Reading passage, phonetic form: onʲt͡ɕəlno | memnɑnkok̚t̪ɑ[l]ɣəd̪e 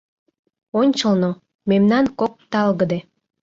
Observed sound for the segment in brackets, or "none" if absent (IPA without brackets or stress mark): l